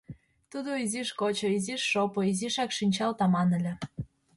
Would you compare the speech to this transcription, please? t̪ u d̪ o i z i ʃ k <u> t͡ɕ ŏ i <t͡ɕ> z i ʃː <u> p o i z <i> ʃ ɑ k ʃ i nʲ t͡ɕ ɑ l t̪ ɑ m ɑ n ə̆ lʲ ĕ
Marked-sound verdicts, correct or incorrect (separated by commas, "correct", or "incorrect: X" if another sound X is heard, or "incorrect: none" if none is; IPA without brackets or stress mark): incorrect: o, incorrect: none, incorrect: o, correct